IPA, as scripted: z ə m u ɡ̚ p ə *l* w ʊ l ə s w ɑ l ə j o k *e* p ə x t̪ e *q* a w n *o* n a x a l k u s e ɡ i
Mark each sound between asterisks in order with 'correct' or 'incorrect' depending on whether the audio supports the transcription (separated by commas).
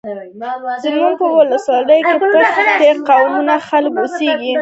incorrect, correct, correct, incorrect